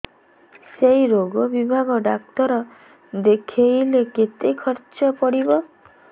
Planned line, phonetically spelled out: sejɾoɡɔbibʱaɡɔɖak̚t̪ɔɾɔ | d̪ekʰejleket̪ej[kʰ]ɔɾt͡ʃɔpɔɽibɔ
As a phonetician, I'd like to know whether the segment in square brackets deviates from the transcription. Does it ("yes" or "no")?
no